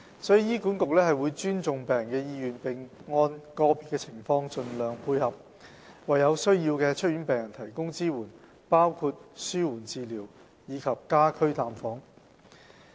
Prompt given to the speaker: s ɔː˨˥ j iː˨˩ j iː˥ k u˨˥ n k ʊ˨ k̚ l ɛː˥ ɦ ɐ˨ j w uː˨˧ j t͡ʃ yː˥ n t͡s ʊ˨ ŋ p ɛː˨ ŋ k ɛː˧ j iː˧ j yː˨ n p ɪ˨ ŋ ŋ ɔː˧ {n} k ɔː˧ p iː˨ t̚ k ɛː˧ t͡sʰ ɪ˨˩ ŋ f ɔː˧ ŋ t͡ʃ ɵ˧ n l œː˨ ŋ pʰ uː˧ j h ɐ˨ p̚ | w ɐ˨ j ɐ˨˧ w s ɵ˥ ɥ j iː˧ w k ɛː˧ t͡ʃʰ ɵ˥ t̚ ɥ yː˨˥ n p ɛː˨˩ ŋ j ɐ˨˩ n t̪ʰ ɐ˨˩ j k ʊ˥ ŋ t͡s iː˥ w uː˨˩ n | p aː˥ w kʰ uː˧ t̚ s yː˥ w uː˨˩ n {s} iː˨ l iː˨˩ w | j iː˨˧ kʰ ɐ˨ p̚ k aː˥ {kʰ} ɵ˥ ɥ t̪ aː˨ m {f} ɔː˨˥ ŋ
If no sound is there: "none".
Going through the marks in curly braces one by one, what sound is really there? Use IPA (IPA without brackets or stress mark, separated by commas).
n, t͡s, kʰ, f